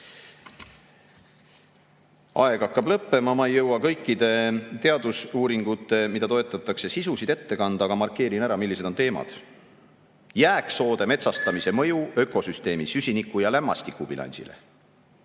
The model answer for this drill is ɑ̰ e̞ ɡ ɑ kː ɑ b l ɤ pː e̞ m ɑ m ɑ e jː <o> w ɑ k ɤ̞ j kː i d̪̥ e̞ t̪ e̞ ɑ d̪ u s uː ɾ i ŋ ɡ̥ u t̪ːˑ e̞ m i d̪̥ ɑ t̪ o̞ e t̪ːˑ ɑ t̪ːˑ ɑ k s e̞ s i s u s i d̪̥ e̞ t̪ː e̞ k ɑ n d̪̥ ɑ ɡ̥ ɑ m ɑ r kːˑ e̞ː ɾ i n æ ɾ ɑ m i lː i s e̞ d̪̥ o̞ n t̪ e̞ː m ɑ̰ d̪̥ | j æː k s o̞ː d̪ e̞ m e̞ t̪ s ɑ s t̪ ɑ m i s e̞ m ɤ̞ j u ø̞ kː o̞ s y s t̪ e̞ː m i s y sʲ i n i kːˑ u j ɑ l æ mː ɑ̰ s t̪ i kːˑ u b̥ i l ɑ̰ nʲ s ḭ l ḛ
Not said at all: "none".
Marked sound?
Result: ɤ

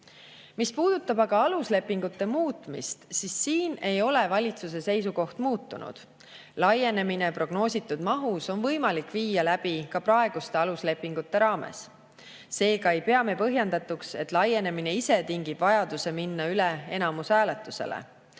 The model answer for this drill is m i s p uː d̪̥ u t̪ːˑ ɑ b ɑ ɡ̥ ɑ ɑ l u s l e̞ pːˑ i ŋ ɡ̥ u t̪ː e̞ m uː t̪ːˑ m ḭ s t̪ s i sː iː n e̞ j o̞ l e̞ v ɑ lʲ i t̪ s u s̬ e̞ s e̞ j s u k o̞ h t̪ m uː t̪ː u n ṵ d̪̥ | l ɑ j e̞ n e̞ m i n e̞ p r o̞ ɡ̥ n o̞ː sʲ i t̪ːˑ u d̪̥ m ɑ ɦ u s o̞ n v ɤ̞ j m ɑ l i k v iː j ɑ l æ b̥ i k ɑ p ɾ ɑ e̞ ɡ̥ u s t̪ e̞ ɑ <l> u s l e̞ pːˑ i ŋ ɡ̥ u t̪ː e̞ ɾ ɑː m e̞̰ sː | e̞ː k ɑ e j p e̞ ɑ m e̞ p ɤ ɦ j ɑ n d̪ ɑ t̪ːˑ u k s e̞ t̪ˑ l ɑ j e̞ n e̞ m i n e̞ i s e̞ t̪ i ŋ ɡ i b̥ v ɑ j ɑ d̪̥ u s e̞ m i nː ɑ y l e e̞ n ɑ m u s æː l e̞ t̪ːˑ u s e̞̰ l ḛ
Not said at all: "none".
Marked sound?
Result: l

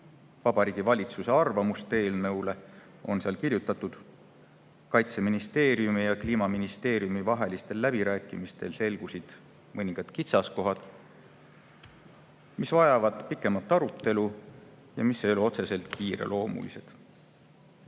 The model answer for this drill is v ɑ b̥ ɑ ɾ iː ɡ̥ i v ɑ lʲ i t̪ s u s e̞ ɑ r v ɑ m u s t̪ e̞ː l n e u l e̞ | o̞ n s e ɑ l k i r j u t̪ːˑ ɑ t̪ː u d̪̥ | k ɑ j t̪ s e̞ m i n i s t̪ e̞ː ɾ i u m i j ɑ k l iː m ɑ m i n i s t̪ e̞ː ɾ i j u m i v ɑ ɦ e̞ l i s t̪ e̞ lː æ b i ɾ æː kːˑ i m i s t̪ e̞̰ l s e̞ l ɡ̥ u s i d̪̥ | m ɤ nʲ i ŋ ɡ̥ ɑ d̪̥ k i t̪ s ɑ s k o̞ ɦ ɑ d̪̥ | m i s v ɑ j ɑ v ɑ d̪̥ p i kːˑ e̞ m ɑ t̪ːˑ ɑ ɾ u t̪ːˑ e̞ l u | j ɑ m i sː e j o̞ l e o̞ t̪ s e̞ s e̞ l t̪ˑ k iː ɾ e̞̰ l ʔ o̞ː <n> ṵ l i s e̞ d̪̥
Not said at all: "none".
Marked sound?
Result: m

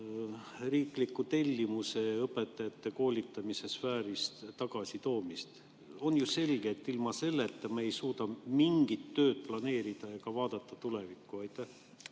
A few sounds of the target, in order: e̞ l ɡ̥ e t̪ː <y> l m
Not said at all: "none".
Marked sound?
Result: i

